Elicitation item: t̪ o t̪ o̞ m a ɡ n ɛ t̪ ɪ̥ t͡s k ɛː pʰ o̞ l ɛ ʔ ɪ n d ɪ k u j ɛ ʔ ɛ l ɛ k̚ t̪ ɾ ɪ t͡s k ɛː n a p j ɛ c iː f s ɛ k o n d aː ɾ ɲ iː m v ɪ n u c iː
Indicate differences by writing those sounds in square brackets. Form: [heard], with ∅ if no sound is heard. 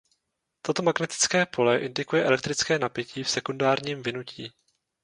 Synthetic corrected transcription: t̪ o t̪ o̞ m a ɡ n ɛ t̪ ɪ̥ t͡s k ɛː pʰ o̞ l ɛ ʔ ɪ n d ɪ k u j ɛ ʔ ɛ l ɛ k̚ t̪ ɾ ɪ t͡s k ɛː n a p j ɛ c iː f s ɛ k [u] n d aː ɾ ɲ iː m v ɪ n u c iː